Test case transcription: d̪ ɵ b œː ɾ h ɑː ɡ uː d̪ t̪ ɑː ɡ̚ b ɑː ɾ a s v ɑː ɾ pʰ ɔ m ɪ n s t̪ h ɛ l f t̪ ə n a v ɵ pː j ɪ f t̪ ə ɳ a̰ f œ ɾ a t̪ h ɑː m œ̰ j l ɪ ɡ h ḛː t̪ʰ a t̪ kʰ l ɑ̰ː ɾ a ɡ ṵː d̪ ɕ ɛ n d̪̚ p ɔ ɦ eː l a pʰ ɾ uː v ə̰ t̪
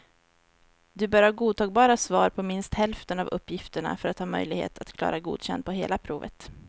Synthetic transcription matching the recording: d̪ ɵ b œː ɾ h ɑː ɡ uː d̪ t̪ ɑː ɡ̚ b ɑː ɾ a s v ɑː ɾ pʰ ɔ m ɪ n s t̪ h ɛ l f t̪ ə n a v ɵ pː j ɪ f t̪ ə ɳ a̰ f œ ɾ a t̪ h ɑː m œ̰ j l ɪ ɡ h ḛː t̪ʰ a t̪ kʰ l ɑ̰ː ɾ a ɡ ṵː d̪ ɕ ɛ n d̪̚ p ɔ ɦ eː l a pʰ ɾ uː v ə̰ t̪